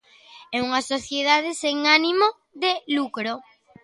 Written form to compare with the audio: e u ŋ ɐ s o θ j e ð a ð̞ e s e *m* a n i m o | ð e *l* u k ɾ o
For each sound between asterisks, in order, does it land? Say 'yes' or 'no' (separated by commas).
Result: no, yes